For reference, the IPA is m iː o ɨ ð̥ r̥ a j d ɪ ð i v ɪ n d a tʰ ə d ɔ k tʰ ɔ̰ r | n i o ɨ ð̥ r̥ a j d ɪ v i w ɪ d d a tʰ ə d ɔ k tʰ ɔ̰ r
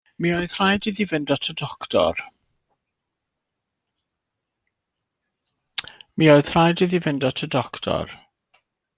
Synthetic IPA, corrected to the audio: m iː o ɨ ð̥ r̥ a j d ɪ ð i v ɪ n d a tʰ ə d ɔ k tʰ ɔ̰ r | m i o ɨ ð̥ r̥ a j d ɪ ð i v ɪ n d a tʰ ə d ɔ k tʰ ɔ̰ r